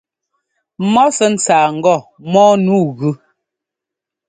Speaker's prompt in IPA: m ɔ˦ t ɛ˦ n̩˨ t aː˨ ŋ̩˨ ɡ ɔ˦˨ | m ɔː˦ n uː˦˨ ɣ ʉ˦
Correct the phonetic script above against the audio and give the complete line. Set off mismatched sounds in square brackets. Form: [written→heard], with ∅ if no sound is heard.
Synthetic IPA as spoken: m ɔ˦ [t→s] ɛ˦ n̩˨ [t→t͡s] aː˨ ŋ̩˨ ɡ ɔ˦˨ | m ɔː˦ n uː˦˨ ɣ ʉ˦